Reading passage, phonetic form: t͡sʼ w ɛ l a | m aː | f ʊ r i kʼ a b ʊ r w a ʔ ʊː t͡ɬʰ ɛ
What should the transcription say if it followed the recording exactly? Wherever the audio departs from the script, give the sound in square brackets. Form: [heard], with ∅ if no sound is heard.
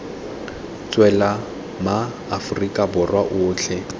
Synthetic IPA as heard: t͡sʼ w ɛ l a | m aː | f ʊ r i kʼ a b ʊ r w a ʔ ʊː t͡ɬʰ ɛ